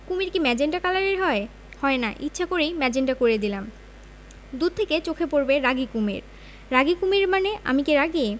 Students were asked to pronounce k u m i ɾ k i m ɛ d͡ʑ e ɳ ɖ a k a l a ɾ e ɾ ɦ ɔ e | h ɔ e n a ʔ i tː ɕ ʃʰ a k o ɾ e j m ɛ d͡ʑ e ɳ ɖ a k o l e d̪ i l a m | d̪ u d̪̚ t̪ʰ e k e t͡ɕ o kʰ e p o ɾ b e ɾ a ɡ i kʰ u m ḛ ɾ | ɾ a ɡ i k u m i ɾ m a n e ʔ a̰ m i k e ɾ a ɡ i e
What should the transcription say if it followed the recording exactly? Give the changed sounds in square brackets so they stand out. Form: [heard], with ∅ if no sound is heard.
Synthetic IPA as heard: k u m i ɾ k i m ɛ d͡ʑ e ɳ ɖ a k a l a ɾ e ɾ ɦ ɔ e | h ɔ e n a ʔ i tː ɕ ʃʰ a k o ɾ e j m ɛ d͡ʑ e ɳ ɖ a k o [ɾ] e d̪ i l a m | d̪ u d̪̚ t̪ʰ e k e t͡ɕ o kʰ e p o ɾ b e ɾ a ɡ i [k] u m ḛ ɾ | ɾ a ɡ i k u m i ɾ m a n e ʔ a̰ m i k e ɾ a ɡ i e